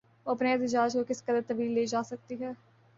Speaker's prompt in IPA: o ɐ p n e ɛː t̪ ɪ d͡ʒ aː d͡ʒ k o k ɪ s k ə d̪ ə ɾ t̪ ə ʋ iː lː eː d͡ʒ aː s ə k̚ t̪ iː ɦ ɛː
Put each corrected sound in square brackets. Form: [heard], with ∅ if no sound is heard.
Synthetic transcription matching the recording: o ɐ p n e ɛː t̪ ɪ d͡ʒ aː d͡ʒ k o k ɪ s k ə d̪ ə ɾ t̪ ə ʋ iː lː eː d͡ʒ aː s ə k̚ t̪ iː ɦ ɛː